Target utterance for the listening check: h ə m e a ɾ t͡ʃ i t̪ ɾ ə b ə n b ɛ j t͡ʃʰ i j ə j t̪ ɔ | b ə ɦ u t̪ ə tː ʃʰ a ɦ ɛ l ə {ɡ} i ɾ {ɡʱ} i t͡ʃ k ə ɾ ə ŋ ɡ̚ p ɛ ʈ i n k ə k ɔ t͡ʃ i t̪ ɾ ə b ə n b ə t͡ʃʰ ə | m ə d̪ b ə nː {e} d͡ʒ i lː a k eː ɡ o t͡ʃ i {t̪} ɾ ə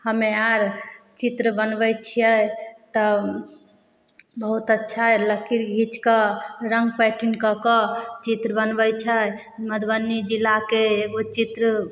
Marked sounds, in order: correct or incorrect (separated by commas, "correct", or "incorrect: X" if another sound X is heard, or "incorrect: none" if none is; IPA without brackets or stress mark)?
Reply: incorrect: k, correct, incorrect: i, correct